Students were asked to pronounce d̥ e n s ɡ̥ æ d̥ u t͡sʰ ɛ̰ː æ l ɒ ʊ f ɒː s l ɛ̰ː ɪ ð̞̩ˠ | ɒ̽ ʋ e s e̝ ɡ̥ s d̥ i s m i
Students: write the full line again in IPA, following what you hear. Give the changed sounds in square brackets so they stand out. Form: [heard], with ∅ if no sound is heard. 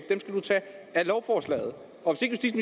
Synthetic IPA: d̥ e [m] s ɡ̥ æ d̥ u t͡sʰ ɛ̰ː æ l ɒ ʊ f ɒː s l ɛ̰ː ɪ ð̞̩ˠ | ɒ̽ ʋ e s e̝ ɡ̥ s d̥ i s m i